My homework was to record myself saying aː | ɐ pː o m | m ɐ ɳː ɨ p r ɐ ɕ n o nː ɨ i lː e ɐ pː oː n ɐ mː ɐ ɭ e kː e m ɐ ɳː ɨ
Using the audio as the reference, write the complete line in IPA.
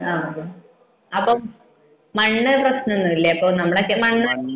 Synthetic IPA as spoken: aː | ɐ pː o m | m ɐ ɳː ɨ p r ɐ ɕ n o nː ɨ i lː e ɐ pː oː n ɐ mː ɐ ɭ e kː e m ɐ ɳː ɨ